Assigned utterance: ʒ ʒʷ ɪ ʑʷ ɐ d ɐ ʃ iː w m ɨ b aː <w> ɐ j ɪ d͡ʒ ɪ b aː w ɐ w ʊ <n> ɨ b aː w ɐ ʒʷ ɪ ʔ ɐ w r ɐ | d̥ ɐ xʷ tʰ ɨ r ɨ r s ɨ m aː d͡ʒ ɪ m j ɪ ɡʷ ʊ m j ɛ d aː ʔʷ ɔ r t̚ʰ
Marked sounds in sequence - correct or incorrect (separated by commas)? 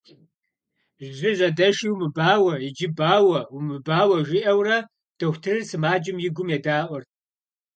correct, incorrect